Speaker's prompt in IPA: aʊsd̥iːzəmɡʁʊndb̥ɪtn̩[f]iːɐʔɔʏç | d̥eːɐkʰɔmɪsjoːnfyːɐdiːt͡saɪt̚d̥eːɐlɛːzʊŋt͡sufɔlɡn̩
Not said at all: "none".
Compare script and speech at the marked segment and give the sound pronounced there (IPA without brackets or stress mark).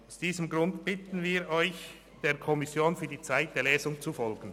v